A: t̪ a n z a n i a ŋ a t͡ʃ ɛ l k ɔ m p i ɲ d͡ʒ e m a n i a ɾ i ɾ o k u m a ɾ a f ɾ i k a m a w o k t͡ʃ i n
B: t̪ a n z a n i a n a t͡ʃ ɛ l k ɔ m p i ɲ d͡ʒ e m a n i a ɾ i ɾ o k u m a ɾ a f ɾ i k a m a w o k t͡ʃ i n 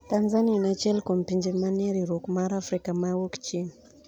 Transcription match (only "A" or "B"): B